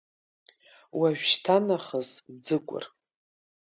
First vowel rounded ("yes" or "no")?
no